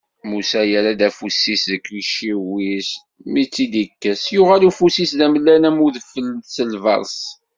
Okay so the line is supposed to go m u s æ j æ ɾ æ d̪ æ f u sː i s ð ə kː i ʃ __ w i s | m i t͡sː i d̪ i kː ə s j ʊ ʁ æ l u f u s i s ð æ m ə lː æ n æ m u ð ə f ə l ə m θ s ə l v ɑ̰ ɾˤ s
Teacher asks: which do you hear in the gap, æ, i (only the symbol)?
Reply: i